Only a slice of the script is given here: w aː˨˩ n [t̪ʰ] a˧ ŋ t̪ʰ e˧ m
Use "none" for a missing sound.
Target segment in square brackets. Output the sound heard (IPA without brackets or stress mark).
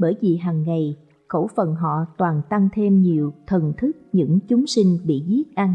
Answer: t̪